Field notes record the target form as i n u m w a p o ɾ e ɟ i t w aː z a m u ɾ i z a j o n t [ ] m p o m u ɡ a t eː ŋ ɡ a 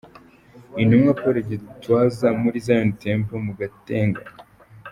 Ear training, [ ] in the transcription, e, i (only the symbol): e